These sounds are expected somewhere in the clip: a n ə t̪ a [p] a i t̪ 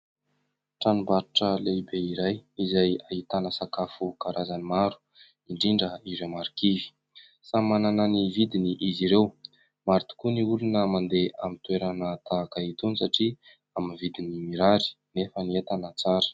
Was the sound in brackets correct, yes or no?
no